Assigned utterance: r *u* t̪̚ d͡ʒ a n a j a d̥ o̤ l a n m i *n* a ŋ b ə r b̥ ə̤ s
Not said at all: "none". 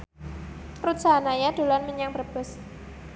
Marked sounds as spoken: u, ɲ

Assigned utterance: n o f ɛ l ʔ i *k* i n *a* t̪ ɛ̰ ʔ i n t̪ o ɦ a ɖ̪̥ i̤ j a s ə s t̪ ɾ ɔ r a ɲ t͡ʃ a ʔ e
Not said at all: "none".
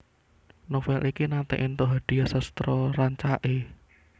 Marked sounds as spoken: k, a

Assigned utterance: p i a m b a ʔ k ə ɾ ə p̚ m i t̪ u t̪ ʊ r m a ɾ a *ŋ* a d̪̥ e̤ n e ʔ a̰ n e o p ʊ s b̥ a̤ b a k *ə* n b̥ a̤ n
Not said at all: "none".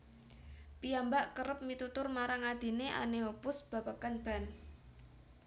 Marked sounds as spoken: ŋ, a

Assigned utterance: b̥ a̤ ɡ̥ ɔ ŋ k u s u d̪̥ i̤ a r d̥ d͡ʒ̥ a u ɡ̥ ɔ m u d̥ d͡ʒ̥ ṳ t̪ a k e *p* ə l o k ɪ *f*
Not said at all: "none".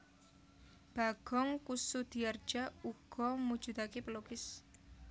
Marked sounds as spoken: p, s

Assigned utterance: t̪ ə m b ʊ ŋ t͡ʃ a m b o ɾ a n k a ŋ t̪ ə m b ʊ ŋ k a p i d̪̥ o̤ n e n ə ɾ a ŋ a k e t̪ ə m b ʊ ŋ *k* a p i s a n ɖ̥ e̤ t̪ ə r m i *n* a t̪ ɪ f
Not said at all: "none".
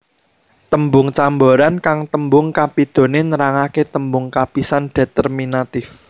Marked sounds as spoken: k, n

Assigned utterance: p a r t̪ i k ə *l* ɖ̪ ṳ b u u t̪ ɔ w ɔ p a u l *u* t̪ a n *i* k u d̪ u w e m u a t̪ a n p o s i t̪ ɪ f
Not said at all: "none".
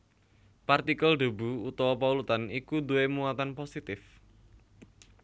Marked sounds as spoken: l, u, i

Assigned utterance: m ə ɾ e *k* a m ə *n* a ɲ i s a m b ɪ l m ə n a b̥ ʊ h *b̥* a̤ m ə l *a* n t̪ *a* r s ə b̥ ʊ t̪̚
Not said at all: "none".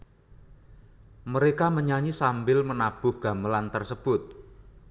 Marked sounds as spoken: k, ɲ, ɡ̥, a, ə

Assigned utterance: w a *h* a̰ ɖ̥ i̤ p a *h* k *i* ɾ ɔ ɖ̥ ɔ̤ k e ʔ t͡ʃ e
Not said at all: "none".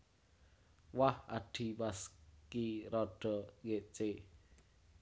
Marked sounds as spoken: h, s, i

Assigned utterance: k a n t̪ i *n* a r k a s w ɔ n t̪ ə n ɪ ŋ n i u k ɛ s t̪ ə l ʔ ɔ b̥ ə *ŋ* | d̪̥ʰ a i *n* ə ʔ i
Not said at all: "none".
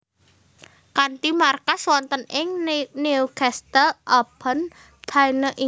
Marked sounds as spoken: m, n, n

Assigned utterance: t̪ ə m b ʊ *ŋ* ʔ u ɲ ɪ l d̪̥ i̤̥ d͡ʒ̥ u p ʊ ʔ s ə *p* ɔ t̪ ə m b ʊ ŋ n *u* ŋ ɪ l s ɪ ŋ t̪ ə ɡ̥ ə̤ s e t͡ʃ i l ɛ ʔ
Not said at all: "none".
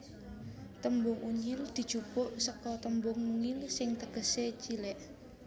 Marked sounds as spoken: ŋ, k, u

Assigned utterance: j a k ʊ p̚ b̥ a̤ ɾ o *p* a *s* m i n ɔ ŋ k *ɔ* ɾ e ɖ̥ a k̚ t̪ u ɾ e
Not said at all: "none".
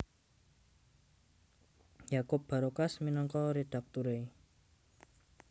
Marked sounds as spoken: k, s, ɔ

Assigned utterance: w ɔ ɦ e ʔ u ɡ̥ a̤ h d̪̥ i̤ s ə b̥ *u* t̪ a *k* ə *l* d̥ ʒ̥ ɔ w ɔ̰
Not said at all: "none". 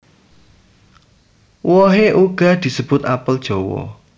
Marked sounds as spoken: ʊ, p, l

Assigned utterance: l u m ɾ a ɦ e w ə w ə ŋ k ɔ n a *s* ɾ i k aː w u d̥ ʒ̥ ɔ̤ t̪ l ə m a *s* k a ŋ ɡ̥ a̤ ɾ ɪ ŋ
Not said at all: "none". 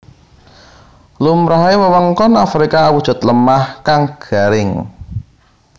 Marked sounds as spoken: f, h

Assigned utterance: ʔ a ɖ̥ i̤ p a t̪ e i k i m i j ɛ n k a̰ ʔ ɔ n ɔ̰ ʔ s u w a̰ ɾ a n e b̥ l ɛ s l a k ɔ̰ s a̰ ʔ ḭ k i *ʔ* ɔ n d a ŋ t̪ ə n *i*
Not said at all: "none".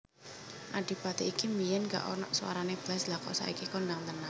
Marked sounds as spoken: k, a

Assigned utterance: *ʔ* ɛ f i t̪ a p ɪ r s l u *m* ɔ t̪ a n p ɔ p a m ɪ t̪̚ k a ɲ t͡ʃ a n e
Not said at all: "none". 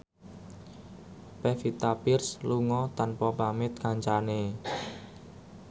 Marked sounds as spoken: p, ŋ

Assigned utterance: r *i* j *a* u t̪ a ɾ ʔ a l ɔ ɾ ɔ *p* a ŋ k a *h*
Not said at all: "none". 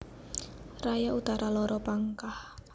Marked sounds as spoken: a, a, p, h

